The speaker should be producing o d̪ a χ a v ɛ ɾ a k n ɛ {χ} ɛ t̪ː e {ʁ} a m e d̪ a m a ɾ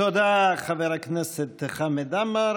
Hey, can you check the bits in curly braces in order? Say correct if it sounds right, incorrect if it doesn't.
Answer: incorrect: s, incorrect: χ

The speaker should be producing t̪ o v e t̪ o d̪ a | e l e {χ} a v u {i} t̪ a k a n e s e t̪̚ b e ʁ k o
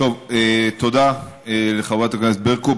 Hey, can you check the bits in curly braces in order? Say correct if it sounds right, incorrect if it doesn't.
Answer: correct, incorrect: a

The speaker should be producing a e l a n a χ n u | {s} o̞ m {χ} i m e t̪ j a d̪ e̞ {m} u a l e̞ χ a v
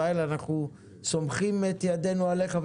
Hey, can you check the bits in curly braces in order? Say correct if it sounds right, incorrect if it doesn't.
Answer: correct, correct, incorrect: n

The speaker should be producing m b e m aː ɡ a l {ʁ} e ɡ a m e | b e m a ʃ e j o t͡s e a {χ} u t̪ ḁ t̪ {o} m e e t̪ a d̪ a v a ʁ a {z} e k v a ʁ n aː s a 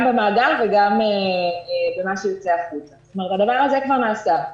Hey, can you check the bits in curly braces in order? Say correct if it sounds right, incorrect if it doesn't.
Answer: incorrect: v, correct, correct, correct

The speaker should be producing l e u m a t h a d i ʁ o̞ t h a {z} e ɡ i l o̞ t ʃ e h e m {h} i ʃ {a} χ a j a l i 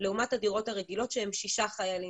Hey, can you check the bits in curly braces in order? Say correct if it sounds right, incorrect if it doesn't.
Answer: incorrect: ʁ, incorrect: ʃ, correct

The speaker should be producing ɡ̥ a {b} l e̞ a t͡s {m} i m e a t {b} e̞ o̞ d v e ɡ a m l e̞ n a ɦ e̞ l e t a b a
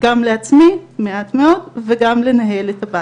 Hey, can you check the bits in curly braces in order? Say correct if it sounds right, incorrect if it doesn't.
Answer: incorrect: m, correct, incorrect: m

